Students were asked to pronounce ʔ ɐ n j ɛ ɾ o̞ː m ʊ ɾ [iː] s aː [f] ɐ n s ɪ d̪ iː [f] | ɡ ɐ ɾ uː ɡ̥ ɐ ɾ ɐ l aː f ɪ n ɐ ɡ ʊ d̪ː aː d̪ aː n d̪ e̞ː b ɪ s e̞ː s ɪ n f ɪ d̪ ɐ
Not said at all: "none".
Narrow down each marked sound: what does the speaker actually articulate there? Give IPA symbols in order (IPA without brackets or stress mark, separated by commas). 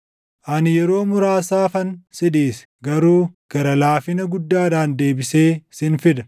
aː, f, s